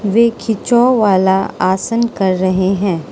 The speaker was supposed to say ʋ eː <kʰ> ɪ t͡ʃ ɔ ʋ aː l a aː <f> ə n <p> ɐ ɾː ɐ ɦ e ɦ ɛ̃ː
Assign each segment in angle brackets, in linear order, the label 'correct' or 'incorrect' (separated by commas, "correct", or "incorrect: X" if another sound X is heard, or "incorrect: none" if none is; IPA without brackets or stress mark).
correct, incorrect: s, incorrect: k